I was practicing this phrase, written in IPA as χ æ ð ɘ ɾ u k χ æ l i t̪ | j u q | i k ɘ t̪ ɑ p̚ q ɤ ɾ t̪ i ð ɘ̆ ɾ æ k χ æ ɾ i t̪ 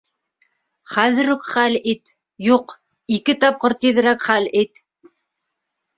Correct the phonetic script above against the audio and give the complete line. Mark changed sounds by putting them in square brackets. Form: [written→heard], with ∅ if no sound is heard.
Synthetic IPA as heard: χ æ ð ɘ ɾ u k χ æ l i t̪ | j u q | i k ɘ t̪ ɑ p̚ q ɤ ɾ t̪ i ð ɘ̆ ɾ æ k χ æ [ɾ→l] i t̪